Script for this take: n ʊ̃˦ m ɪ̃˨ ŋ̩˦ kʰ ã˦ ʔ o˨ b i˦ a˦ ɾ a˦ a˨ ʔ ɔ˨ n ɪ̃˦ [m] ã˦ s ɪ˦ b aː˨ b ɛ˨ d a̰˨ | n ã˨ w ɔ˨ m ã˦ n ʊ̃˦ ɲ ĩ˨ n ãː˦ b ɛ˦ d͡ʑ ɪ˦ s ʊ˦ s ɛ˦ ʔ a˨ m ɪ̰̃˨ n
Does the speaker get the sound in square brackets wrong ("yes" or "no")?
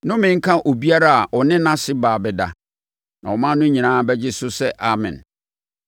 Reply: yes